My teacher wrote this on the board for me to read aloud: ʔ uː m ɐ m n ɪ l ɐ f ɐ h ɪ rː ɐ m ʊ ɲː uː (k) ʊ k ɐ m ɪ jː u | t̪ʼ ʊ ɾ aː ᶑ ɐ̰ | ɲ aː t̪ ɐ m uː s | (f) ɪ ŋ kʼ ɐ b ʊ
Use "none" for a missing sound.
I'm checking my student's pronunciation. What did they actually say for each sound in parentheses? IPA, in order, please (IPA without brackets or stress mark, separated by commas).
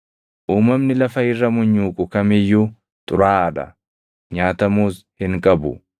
kʼ, h